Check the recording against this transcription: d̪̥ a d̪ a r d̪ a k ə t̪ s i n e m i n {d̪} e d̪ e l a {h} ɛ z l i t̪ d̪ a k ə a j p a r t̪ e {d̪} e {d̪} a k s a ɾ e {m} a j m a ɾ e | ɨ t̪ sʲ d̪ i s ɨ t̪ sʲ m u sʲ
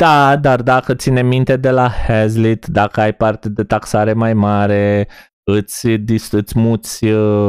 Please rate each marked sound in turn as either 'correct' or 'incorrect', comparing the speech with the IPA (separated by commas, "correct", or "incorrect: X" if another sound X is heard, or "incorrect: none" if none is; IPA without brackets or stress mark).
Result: incorrect: t̪, correct, correct, incorrect: t̪, correct